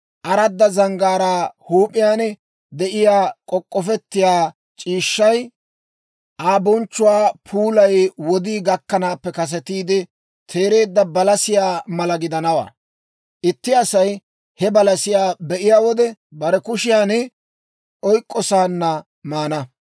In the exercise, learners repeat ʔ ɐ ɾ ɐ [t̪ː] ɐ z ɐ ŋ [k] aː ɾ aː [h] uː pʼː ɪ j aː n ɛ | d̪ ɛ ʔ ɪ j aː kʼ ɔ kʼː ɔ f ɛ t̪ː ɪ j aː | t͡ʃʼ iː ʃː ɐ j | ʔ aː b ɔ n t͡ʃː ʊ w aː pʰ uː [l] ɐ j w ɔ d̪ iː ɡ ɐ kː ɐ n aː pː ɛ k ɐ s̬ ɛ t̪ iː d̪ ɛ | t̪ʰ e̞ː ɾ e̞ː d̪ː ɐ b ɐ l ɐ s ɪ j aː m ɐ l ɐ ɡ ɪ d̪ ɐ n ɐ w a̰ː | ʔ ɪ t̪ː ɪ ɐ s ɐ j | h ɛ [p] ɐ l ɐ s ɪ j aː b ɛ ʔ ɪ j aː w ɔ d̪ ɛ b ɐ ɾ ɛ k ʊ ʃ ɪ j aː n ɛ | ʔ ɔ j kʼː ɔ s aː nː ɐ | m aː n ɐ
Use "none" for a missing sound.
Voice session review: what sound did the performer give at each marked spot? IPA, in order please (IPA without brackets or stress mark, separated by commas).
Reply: d̪ː, ɡ, h, l, b